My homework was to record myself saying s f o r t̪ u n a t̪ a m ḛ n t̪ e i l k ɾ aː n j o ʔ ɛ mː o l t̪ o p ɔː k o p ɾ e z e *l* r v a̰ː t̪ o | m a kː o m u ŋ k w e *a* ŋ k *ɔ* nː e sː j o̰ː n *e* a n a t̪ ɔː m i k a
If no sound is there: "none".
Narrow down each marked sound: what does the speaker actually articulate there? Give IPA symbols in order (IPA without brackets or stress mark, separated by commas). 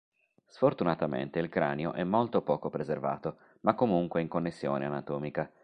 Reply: none, i, o, e